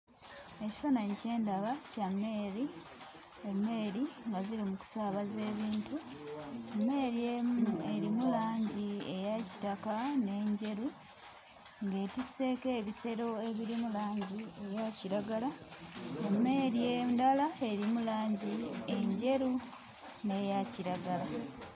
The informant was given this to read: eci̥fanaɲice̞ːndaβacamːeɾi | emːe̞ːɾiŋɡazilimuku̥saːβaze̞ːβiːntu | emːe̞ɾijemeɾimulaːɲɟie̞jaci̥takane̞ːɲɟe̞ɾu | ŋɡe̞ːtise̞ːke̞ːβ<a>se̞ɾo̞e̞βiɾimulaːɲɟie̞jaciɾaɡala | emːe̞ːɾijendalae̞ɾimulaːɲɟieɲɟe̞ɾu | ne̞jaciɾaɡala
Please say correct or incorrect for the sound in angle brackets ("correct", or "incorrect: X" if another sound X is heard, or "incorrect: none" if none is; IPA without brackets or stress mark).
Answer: incorrect: i